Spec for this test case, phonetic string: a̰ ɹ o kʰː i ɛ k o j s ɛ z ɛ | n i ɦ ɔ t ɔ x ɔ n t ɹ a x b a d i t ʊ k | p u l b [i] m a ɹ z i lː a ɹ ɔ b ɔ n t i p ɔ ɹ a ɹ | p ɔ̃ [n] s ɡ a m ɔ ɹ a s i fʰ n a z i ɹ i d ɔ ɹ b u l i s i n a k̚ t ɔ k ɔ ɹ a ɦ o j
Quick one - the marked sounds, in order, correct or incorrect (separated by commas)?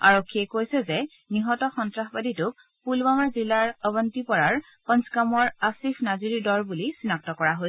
incorrect, correct